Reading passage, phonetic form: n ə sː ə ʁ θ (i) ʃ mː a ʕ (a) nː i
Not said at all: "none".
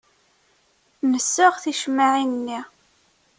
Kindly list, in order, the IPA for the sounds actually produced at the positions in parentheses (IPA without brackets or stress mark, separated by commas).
i, i